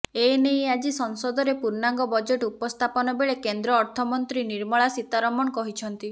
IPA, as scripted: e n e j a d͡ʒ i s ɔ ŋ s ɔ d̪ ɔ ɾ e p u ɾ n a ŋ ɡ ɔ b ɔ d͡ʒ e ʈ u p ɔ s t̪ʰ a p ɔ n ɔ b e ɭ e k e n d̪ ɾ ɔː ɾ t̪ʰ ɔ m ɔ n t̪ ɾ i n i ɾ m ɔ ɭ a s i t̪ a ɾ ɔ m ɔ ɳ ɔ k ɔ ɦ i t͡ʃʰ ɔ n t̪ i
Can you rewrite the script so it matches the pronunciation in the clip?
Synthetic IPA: e n e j a d͡ʒ i s ɔ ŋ s ɔ d̪ ɔ ɾ e p u ɾ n a ŋ ɡ ɔ b ɔ d͡ʒ e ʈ u p ɔ s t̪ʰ a p ɔ n ɔ b e ɭ e k e n d̪ ɾ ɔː ɾ t̪ʰ ɔ m ɔ n t̪ ɾ i n i ɾ m ɔ ɭ a s i t̪ a ɾ ɔ m ɔ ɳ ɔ k ɔ ɦ i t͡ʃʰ ɔ n t̪ i